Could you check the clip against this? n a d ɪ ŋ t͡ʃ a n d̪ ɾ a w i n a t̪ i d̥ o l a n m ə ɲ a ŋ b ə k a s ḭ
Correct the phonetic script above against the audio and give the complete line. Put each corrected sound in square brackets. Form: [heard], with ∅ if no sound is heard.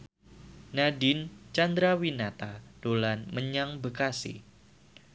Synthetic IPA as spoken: n a d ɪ [n] t͡ʃ a n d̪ ɾ a w i n a t̪ [a] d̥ o l a n m ə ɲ a ŋ b ə k a s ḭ